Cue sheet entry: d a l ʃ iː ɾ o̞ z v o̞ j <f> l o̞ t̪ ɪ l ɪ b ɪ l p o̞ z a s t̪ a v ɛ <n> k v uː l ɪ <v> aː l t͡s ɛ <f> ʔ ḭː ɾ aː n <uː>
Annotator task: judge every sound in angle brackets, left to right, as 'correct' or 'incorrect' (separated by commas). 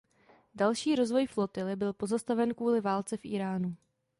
correct, correct, correct, correct, incorrect